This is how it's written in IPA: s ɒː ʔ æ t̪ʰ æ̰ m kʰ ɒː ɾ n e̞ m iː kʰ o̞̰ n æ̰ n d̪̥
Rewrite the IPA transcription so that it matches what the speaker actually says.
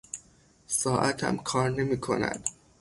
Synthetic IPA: s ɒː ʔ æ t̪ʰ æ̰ m kʰ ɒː ɾ n e̞ m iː kʰ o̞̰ n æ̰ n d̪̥